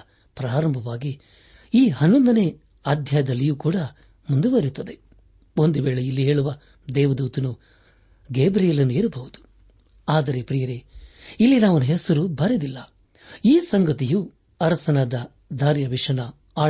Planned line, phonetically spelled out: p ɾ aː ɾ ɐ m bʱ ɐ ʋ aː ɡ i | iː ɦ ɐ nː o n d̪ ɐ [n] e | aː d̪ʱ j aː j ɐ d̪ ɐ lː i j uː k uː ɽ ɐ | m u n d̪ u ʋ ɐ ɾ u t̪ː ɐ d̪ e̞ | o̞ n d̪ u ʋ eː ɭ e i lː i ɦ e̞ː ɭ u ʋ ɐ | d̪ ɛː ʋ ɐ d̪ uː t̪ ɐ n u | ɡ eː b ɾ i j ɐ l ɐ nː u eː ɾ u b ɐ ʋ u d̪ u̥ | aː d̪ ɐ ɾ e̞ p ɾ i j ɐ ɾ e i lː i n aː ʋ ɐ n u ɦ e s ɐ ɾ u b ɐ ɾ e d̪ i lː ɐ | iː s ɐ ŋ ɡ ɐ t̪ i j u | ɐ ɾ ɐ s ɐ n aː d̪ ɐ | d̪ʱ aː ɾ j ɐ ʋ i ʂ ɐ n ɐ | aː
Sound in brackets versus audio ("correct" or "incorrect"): correct